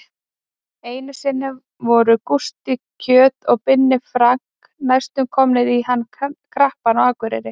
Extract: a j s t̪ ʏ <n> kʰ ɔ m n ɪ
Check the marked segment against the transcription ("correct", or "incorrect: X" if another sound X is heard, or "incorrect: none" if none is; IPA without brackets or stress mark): incorrect: m